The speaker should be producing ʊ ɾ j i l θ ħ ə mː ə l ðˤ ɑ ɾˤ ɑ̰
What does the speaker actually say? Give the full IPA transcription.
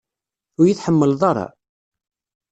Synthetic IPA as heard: ʊ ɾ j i θ ħ ə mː ə l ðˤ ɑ ɾˤ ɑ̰